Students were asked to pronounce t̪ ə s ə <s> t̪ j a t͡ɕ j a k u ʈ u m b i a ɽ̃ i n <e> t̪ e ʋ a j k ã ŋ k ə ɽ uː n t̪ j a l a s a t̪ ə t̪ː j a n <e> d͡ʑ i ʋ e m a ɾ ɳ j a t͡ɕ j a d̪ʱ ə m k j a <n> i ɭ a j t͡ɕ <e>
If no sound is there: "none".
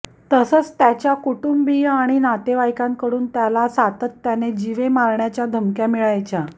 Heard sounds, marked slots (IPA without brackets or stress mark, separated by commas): t͡s, a, e, m, a